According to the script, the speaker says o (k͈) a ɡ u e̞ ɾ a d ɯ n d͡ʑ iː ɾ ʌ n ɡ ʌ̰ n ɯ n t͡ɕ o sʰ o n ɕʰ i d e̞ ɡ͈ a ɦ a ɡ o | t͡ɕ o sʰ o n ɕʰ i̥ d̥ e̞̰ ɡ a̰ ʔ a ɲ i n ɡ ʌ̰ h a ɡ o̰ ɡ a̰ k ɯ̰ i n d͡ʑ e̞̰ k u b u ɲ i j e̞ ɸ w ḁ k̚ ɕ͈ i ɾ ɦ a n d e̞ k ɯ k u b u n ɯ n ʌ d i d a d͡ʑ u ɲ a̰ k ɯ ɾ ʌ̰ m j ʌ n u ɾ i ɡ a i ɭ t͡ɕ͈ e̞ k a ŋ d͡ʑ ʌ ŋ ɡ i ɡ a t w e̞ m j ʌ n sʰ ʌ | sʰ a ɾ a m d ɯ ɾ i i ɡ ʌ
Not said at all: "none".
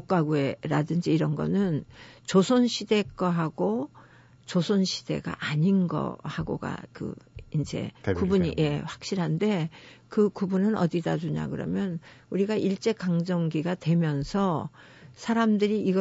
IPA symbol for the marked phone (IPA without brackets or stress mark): k͈